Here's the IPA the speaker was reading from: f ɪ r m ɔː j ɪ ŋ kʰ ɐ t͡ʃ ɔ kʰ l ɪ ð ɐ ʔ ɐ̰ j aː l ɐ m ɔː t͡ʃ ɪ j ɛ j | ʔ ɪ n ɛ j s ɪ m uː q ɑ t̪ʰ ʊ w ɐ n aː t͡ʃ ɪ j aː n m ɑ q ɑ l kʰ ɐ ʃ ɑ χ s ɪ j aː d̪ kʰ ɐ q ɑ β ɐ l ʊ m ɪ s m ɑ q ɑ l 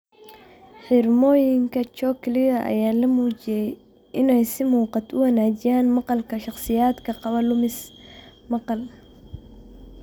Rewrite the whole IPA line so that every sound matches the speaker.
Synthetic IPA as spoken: ħ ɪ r m ɔː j ɪ ŋ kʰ ɐ t͡ʃ ɔ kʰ l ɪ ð ɐ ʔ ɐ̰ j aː l ɐ m uː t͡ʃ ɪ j ɛ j | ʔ ɪ n ɛ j s ɪ m uː q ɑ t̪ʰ ʊ w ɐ n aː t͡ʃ ɪ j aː n m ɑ q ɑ l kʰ ɐ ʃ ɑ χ s ɪ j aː d̪ kʰ ɐ q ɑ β ɐ l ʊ m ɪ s m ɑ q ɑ l

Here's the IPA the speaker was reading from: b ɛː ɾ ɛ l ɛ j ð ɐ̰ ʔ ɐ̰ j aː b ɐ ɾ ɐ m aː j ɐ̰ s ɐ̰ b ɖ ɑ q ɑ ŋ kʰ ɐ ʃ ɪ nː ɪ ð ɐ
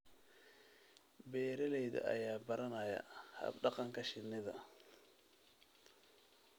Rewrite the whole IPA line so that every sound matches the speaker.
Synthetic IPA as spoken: b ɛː ɾ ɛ l ɛ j ð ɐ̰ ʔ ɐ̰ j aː b ɐ ɾ ɐ n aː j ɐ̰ h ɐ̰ b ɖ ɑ q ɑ ŋ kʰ ɐ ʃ ɪ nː ɪ ð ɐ

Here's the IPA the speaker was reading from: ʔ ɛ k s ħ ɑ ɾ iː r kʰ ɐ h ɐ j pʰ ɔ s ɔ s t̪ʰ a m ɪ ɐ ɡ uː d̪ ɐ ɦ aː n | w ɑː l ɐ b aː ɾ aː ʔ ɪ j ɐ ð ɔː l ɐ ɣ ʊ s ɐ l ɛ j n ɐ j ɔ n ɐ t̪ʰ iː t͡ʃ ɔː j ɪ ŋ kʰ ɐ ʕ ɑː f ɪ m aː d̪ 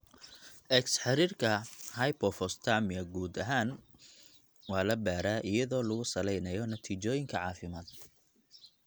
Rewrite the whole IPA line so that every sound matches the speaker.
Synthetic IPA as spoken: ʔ ɛ k s ħ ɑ ɾ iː r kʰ ɐ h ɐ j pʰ ɔ f ɔ s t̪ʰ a m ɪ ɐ ɡ uː d̪ ɐ ɦ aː n | w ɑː l ɐ b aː ɾ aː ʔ ɪ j ɐ ð ɔː l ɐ ɣ ʊ s ɐ l ɛ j n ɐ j ɔ n ɐ t̪ʰ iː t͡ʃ ɔː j ɪ ŋ kʰ ɐ ʕ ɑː f ɪ m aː d̪

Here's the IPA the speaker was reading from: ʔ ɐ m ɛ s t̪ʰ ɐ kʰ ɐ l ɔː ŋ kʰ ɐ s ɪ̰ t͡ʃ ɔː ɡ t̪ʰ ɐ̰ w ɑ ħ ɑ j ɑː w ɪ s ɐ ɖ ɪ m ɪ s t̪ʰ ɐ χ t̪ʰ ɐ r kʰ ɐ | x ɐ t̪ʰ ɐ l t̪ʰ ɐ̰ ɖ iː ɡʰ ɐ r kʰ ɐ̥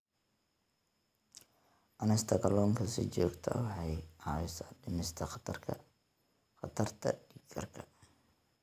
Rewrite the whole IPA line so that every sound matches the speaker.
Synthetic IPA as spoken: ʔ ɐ n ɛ s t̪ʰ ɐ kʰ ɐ l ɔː ŋ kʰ ɐ s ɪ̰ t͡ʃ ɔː ɡ t̪ʰ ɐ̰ w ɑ ħ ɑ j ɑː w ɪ s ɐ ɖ ɪ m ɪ s t̪ʰ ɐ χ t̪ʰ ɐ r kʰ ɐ | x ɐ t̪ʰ ɐ r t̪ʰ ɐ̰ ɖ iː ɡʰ ɐ r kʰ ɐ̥

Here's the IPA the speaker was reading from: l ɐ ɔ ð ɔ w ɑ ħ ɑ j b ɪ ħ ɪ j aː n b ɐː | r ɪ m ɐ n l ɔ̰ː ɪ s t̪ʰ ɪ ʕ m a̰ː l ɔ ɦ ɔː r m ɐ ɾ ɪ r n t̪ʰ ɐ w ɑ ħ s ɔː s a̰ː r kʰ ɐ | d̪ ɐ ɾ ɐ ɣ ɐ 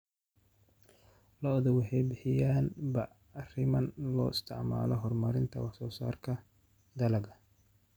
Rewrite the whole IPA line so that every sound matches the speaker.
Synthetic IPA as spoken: l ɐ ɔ ð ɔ w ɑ ħ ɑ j b ɪ ħ ɪ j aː n b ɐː | r ɪ m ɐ n l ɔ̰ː ɪ s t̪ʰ ɪ ʕ m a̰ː l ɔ ɦ ɔ r m ɐ ɾ ɪ n t̪ʰ ɐ w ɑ ħ s ɔː s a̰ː r kʰ ɐ | d̪ ɐ l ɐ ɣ ɐ

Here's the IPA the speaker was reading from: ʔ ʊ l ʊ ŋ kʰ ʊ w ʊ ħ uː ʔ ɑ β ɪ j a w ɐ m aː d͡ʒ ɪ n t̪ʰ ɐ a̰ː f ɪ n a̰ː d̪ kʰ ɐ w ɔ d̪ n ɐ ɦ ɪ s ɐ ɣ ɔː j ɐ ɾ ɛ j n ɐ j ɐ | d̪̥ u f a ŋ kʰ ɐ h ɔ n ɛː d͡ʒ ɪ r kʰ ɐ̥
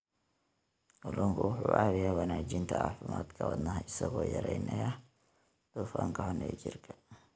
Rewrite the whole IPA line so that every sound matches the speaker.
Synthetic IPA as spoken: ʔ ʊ l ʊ ŋ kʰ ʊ w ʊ ħ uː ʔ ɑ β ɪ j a w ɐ n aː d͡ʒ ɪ n t̪ʰ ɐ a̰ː f ɪ m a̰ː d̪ kʰ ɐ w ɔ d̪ n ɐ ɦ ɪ s ɐ ɣ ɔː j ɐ ɾ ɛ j n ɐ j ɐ | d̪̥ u f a ŋ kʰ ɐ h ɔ n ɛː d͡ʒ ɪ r kʰ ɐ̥

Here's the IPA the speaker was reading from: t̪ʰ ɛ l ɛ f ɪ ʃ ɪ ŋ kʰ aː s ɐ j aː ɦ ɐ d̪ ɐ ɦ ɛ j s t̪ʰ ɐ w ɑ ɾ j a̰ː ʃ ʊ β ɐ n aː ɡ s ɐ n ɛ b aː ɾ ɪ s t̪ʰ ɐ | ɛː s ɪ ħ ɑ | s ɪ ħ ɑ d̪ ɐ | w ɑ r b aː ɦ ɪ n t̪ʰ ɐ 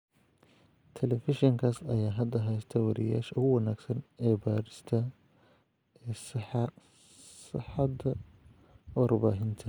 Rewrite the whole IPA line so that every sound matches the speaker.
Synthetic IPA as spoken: t̪ʰ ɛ l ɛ f ɪ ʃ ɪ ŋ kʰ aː s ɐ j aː ɦ ɐ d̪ ɐ ɦ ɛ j s t̪ʰ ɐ w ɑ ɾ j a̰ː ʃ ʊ w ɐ n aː ɡ s ɐ n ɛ b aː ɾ ɪ s t̪ʰ ɐ | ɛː s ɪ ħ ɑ | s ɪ ħ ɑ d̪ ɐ | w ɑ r b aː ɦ ɪ n t̪ʰ ɐ

